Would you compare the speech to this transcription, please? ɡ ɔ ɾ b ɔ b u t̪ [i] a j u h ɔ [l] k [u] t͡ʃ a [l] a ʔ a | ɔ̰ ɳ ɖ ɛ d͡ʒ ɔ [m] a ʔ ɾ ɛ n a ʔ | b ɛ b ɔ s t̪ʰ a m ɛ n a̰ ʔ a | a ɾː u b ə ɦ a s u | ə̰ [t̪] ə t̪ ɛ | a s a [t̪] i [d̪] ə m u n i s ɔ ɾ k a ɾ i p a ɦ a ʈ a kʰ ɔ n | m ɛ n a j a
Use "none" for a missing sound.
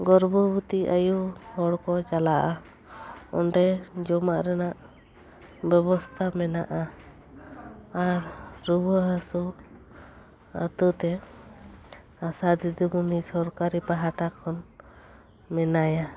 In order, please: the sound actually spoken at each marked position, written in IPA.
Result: i, ɽ, ɔ, l, m, t̪, d̪, d̪

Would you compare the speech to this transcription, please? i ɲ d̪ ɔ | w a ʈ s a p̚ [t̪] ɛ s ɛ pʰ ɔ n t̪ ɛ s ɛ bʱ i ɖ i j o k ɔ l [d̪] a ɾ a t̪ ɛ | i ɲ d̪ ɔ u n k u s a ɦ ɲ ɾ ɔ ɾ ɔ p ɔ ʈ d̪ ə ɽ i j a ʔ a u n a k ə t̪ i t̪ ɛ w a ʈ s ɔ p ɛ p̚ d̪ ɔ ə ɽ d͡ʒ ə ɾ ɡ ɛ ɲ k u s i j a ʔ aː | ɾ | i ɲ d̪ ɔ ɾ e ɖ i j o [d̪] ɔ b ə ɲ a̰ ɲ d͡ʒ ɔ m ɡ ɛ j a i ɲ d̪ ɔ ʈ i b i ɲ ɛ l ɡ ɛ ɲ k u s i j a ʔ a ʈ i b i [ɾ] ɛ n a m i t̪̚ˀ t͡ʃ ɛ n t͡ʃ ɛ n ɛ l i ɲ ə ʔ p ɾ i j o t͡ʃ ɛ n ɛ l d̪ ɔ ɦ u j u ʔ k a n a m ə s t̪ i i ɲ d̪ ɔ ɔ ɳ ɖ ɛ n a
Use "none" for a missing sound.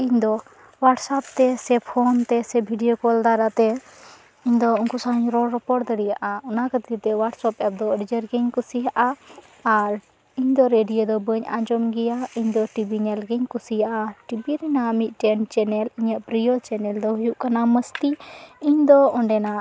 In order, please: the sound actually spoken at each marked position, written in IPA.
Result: t̪, d̪, d̪, ɾ

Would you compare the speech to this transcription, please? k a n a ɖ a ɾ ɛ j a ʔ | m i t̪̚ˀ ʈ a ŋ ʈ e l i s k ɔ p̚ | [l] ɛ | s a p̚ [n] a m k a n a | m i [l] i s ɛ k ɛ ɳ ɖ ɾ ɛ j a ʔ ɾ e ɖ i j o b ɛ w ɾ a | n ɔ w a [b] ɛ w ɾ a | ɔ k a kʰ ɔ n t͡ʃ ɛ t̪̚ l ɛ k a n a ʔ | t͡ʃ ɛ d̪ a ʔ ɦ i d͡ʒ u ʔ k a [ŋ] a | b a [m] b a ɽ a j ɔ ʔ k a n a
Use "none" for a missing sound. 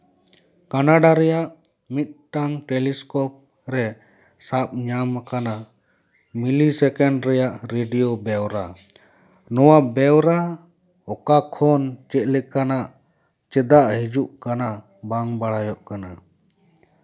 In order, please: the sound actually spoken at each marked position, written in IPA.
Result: ɾ, ɲ, l, b, n, ŋ

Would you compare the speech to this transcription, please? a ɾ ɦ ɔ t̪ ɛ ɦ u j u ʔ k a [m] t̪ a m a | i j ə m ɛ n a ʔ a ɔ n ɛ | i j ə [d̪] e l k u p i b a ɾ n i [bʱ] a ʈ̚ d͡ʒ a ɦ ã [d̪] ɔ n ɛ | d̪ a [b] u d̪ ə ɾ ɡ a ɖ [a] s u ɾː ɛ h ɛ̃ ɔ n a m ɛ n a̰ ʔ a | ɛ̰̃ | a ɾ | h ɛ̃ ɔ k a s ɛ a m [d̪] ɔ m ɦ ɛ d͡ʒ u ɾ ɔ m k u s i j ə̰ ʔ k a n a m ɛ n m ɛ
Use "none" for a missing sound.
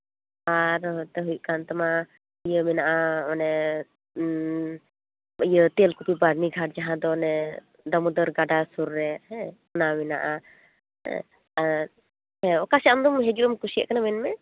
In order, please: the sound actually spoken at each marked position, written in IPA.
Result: n, t̪, ɡʱ, d̪, m, a, d̪

